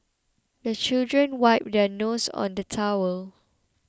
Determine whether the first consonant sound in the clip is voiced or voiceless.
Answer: voiced